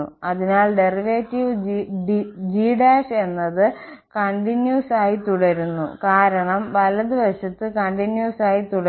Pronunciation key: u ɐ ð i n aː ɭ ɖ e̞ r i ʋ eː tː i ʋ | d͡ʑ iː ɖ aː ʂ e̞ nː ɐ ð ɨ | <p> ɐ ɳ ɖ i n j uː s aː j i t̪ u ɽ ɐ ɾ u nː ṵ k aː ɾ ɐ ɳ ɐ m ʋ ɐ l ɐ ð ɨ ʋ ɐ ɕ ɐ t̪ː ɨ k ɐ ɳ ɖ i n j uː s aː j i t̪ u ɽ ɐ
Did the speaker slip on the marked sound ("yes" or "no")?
yes